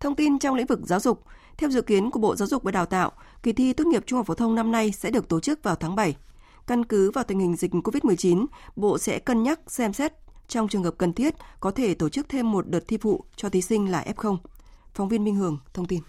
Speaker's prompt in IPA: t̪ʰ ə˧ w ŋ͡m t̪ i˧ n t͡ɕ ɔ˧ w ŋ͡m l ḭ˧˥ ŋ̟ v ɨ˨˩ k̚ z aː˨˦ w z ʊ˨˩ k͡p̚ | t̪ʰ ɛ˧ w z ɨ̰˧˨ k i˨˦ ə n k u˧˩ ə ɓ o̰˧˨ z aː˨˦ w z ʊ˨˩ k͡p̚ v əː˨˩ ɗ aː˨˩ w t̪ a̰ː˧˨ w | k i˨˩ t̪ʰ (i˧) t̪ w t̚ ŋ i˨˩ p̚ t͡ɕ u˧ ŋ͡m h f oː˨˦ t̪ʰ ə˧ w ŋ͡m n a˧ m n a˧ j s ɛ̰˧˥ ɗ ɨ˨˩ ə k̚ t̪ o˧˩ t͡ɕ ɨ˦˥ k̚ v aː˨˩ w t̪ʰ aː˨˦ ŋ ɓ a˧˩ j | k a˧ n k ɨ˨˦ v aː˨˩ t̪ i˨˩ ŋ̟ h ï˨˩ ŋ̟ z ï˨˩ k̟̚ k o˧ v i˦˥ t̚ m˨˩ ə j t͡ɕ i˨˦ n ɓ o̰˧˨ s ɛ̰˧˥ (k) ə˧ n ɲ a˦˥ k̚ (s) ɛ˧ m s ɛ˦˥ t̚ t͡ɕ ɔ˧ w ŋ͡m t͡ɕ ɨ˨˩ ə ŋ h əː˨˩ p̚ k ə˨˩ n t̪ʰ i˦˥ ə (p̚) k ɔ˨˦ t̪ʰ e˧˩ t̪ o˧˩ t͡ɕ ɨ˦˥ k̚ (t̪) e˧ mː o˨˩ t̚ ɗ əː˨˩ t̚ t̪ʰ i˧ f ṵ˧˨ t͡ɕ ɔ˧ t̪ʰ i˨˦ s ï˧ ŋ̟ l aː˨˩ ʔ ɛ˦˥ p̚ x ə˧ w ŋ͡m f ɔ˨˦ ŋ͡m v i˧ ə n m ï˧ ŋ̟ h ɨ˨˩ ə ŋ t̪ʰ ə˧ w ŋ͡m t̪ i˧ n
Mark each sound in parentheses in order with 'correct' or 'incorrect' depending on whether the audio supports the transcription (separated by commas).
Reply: correct, correct, correct, incorrect, incorrect